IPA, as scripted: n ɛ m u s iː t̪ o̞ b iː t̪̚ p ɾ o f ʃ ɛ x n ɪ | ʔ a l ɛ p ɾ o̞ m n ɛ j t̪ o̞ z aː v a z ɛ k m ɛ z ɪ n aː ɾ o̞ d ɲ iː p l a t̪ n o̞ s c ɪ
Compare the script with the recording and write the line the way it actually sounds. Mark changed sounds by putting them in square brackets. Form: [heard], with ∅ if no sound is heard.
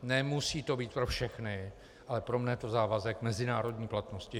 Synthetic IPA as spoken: n ɛ m u s iː t̪ o̞ b iː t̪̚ p ɾ o f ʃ ɛ x n ɪ | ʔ a l ɛ p ɾ o̞ m n ɛ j t̪ o̞ z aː v a z ɛ k m ɛ z ɪ n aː ɾ o̞ d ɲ iː p l a t̪ n o̞ s c ɪ